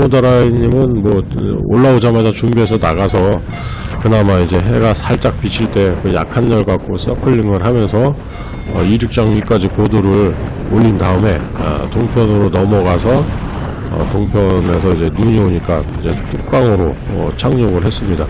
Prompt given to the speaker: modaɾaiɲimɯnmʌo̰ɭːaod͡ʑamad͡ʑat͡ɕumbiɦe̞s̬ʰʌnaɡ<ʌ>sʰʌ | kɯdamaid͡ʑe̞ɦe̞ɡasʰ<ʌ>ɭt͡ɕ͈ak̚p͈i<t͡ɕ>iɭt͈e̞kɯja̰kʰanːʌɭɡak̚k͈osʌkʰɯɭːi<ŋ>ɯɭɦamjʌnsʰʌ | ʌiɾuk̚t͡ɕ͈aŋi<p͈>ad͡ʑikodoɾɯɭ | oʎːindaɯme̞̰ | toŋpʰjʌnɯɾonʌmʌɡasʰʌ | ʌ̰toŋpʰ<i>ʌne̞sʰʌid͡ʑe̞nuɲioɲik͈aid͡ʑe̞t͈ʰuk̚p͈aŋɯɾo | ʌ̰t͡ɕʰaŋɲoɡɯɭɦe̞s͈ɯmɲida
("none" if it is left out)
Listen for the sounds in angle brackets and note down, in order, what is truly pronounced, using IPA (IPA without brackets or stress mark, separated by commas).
a, a, t͡ɕʰ, ŋ, k͈, j